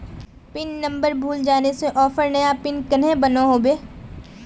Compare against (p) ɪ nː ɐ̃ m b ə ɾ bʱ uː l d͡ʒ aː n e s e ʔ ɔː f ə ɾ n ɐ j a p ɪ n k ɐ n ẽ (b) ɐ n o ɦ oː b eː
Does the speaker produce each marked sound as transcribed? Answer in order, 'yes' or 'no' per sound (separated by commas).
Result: yes, yes